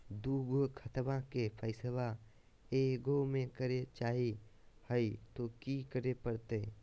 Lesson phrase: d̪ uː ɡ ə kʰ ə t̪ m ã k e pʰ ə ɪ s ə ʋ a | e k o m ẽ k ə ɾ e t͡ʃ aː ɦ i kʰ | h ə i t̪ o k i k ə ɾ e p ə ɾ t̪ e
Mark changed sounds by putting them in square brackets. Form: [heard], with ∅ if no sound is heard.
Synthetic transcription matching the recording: d̪ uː ɡ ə kʰ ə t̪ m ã k e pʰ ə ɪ s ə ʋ a | e [ɡ] o m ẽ k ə ɾ e t͡ʃ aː ɦ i [∅] | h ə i t̪ o k i k ə ɾ e p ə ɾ t̪ e